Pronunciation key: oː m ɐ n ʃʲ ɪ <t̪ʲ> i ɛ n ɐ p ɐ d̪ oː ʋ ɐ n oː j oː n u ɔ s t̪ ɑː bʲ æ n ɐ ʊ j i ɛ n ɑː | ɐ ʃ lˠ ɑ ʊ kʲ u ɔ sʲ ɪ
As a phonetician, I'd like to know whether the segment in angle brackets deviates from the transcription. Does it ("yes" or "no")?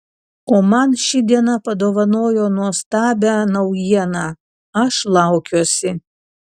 yes